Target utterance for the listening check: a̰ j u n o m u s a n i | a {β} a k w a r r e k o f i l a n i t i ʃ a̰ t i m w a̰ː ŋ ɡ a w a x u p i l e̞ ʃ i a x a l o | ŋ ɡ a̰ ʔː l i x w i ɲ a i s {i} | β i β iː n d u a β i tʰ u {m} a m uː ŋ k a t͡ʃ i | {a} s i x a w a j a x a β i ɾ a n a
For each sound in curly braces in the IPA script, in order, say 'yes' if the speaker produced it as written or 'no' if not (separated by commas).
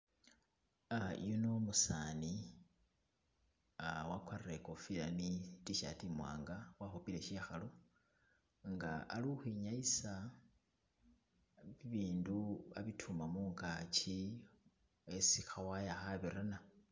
no, no, yes, no